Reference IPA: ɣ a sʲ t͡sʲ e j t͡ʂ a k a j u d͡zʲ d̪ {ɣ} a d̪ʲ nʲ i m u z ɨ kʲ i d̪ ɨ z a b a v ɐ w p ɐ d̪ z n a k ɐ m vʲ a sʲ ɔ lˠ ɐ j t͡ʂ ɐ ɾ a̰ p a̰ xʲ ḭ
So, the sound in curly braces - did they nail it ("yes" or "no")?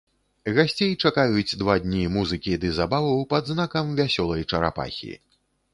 no